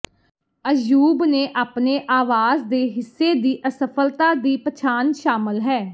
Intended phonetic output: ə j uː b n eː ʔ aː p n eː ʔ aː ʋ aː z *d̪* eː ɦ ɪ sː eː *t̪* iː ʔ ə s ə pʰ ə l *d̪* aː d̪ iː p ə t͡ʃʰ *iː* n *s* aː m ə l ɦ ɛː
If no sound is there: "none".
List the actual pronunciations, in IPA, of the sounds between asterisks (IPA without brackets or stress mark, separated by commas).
d̪, d̪, t̪, aː, ʃ